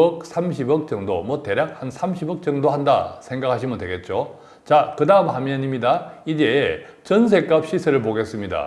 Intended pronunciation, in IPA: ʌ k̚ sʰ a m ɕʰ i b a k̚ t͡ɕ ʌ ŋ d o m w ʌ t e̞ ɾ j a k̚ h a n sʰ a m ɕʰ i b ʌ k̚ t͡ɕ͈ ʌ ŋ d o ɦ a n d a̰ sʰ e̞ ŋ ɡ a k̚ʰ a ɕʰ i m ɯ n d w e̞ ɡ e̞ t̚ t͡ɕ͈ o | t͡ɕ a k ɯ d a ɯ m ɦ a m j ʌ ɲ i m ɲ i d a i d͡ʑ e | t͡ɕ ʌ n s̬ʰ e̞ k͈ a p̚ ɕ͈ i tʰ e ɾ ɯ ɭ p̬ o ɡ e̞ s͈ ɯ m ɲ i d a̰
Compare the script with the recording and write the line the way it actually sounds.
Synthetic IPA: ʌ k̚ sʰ a m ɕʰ i b ʌ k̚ t͡ɕ ʌ ŋ d o m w ʌ t e̞ ɾ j a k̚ h a n sʰ a m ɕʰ i b ʌ k̚ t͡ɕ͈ ʌ ŋ d o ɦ a n d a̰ sʰ e̞ ŋ ɡ a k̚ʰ a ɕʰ i m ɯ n d w e̞ ɡ e̞ t̚ t͡ɕ͈ o | t͡ɕ a k ɯ d a ɯ m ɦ a m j ʌ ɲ i m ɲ i d a i d͡ʑ e | t͡ɕ ʌ n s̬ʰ e̞ k͈ a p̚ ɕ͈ i sʰ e ɾ ɯ ɭ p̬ o ɡ e̞ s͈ ɯ m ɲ i d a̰